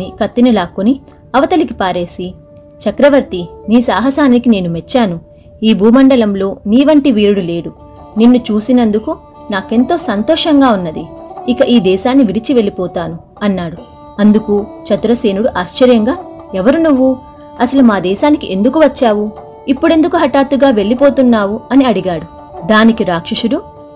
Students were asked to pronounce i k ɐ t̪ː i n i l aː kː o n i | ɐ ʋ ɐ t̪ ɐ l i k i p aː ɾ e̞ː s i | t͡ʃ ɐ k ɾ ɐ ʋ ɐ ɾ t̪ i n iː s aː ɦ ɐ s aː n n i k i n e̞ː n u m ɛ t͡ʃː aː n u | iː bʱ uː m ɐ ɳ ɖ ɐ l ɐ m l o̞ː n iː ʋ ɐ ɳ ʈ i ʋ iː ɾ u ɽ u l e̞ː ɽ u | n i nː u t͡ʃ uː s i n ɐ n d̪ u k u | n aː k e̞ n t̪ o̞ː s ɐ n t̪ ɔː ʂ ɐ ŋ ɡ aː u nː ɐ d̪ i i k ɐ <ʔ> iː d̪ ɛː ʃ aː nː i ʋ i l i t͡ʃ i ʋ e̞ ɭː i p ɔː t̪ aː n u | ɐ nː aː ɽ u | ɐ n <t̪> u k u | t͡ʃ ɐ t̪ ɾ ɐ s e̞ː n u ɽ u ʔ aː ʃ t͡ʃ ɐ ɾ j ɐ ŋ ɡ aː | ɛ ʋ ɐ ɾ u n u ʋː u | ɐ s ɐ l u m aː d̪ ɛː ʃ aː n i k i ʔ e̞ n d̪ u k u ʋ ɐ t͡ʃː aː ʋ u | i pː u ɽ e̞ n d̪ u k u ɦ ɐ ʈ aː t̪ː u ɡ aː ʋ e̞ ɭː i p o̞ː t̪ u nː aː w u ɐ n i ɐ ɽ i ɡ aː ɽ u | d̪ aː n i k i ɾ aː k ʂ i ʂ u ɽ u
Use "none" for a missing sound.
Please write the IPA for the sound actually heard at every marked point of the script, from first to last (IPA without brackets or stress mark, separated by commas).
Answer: ʔ, d̪